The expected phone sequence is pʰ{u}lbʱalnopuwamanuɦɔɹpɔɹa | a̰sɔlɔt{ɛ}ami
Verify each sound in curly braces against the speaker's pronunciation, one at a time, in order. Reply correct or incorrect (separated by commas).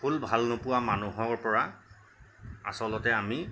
correct, correct